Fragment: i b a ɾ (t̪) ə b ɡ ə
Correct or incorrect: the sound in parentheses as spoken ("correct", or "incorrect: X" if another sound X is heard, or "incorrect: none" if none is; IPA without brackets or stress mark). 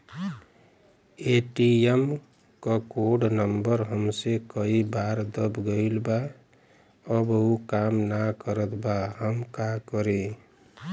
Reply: incorrect: d̪